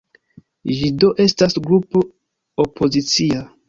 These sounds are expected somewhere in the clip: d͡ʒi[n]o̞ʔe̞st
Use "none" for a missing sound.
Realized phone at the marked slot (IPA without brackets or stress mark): d